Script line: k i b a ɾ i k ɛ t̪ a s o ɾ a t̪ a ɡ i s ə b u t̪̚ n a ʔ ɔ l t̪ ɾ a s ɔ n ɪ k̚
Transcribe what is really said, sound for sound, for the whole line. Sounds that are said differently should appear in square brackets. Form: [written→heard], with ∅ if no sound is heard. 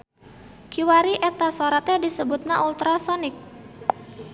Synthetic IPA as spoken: k i [b→w] a ɾ i [k→ʔ] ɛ t̪ a s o ɾ a t̪ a [ɡ→d] i s ə b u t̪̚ n a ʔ [ɔ→u] l t̪ ɾ a s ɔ n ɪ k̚